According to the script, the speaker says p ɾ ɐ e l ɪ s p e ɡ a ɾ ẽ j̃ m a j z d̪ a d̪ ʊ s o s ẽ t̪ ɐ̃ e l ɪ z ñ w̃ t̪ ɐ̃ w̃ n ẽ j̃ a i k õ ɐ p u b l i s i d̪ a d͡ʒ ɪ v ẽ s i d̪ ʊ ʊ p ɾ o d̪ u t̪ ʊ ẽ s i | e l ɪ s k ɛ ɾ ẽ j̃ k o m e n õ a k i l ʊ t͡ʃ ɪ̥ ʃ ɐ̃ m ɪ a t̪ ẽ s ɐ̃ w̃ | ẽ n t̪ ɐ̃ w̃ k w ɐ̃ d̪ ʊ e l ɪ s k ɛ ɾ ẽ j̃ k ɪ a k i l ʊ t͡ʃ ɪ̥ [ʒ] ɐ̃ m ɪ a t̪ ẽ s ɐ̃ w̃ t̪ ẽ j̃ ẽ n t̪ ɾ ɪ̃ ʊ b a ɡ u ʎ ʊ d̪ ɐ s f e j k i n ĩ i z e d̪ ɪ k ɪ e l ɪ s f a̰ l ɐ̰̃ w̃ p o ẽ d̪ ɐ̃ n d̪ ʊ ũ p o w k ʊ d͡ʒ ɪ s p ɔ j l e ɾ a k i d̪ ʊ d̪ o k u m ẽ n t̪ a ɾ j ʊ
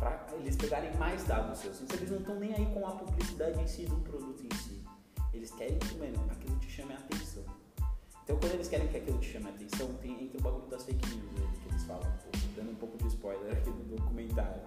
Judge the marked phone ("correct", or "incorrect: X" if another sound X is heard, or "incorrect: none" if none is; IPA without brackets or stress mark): incorrect: ʃ